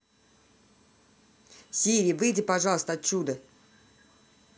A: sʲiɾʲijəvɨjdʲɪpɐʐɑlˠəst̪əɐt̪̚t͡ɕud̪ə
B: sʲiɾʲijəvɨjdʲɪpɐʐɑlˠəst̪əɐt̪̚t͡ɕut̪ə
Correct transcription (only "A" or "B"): A